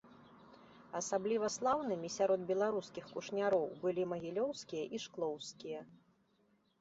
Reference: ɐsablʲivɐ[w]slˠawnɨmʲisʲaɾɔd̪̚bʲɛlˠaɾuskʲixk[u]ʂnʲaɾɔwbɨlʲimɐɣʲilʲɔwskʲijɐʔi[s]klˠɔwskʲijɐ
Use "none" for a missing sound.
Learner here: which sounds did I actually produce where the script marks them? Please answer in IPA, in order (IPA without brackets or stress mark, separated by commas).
none, u, ʂ